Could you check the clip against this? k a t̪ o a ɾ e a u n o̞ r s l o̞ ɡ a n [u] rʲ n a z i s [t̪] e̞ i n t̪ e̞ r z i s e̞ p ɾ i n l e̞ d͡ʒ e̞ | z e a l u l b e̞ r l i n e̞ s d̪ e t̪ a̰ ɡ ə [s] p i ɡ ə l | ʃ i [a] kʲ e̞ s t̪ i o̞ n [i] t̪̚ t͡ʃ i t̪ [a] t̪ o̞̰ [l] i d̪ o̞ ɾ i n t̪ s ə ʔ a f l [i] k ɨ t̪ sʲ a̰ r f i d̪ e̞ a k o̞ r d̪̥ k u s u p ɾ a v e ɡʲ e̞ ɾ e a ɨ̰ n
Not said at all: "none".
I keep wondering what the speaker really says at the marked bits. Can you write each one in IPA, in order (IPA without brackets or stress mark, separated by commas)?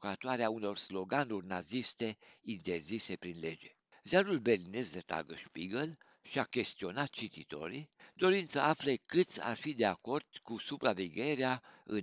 u, t̪, ʃ, a, a, i, ɾ, e